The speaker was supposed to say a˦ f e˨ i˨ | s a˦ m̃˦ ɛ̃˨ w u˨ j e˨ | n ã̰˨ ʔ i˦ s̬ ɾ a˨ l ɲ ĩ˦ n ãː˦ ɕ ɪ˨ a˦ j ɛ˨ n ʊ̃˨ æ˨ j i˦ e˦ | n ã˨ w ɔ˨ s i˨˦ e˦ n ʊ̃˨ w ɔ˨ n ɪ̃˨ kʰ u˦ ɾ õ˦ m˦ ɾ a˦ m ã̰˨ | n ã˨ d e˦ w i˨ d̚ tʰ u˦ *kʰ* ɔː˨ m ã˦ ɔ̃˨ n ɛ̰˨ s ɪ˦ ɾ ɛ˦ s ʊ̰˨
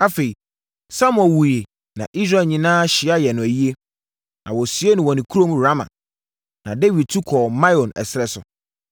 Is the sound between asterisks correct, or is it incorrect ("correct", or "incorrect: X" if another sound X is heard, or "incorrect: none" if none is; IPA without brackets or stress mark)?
correct